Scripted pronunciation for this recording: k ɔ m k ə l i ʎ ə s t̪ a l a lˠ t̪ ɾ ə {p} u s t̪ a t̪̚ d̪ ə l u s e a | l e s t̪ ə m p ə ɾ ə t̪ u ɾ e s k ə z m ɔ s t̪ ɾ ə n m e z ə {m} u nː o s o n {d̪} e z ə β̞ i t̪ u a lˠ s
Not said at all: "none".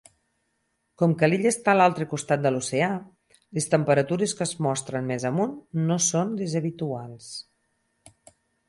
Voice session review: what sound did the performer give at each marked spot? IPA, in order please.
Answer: k, m, d̪

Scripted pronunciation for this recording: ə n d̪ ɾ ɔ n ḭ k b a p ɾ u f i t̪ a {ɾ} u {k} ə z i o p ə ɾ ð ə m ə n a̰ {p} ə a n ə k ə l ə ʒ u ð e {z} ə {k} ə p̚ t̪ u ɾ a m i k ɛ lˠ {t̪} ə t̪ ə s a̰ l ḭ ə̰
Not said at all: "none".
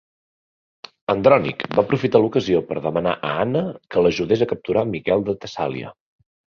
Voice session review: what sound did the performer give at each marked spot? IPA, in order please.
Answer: l, k, ʔ, z, k, d̪

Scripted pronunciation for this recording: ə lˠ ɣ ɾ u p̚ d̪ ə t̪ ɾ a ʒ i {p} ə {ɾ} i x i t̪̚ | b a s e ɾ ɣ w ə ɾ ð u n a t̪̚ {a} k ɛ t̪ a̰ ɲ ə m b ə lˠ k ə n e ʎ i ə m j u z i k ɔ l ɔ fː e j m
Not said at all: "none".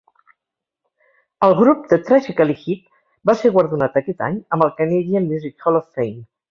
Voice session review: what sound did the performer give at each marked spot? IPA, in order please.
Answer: k, l, ə

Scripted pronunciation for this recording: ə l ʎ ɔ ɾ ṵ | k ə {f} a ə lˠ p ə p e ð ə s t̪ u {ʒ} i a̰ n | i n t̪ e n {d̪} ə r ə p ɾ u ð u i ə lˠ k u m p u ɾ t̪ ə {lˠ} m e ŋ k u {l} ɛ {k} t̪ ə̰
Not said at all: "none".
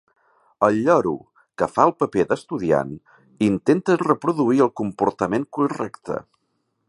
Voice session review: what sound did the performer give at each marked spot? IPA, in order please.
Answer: f, ð, t̪, none, r, k

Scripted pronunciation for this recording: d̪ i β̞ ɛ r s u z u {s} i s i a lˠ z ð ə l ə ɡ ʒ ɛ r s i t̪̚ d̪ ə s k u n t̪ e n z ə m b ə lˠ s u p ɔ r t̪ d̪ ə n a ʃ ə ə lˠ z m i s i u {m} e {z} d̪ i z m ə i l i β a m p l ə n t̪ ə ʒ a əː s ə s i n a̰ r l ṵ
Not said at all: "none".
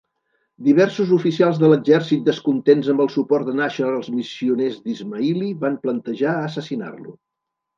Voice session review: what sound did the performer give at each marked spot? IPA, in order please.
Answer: f, n, z

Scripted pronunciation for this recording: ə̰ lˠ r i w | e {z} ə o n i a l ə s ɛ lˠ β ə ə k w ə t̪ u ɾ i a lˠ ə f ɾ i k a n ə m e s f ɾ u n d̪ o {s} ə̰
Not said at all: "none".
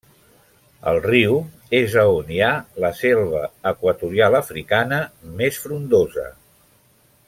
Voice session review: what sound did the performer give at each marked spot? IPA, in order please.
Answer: z, z

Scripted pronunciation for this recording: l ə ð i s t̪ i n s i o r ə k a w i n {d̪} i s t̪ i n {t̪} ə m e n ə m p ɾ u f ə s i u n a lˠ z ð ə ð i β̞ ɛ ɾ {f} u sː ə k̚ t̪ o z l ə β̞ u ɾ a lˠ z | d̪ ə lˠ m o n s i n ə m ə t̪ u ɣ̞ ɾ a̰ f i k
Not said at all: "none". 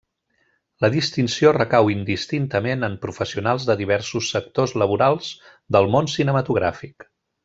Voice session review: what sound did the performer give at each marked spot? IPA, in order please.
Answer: d̪, t̪, s

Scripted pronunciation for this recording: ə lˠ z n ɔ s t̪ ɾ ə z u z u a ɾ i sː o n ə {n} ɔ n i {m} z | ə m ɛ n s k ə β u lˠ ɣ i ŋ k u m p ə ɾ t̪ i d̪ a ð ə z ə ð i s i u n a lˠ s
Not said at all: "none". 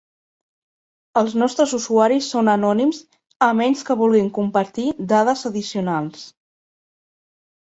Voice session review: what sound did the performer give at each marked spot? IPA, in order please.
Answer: n, m

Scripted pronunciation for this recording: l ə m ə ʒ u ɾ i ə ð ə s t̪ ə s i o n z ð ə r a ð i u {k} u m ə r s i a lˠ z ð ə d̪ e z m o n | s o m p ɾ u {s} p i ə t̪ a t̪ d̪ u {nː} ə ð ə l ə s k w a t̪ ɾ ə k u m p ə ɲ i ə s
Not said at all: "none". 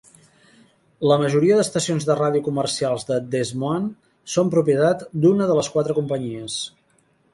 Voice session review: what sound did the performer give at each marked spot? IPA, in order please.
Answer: k, none, n

